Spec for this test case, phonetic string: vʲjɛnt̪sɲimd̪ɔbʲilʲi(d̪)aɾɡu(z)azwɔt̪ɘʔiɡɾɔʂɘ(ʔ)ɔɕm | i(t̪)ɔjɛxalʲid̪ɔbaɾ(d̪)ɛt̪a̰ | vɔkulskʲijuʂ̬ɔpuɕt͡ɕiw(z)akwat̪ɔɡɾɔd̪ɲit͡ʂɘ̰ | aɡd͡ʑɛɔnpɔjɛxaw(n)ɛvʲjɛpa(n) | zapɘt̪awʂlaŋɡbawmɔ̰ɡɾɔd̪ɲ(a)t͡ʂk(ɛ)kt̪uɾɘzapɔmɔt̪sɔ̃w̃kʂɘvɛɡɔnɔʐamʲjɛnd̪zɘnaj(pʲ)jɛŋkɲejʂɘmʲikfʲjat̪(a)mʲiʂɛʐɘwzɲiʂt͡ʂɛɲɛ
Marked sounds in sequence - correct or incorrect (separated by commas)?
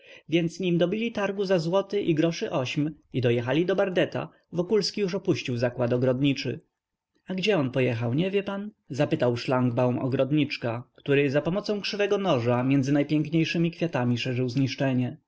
incorrect, correct, correct, incorrect, correct, correct, incorrect, correct, incorrect, incorrect, correct, correct